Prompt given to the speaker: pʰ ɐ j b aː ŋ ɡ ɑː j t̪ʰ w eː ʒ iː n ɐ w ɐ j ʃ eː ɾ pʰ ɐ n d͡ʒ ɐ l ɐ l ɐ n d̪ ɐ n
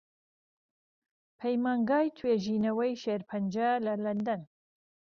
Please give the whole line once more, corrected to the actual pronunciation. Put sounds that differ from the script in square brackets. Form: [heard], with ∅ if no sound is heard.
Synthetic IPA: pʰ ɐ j [m] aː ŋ ɡ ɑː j t̪ʰ w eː ʒ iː n ɐ w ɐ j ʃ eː ɾ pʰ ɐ n d͡ʒ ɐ l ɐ l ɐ n d̪ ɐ n